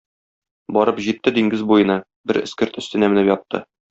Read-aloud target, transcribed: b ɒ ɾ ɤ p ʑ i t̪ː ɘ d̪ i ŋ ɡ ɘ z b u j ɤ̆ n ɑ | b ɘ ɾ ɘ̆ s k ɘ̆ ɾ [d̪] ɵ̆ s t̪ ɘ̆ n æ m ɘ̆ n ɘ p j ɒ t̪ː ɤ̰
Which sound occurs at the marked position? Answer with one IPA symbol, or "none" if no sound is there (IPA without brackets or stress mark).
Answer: t̪